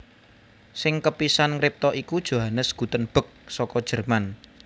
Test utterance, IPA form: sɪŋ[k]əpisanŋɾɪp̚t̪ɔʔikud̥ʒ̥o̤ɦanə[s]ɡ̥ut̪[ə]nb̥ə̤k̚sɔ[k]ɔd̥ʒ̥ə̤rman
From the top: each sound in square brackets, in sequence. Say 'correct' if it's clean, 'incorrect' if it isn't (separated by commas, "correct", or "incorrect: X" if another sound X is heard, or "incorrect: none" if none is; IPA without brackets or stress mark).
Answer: correct, correct, correct, correct